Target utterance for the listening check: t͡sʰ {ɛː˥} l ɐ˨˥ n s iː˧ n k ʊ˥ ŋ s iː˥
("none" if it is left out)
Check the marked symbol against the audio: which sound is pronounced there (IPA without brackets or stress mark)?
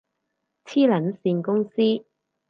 iː˥